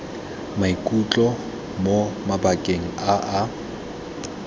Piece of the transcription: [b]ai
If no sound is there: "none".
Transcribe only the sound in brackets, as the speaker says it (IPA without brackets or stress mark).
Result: m